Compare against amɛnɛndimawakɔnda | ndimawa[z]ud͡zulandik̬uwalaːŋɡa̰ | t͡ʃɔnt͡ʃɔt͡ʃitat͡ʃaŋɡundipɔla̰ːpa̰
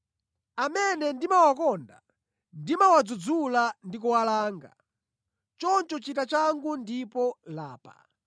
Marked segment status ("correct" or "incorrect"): incorrect